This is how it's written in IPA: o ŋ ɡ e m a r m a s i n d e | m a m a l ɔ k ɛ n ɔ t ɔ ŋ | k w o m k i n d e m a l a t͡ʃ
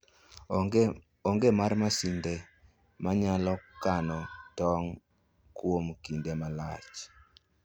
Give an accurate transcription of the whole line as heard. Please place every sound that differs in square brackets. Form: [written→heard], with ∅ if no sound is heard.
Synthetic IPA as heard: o ŋ ɡ e m a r m a s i n d e | m a [m→ɲ] a l ɔ k [ɛ→a] n ɔ t ɔ ŋ | k w o m k i n d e m a l a t͡ʃ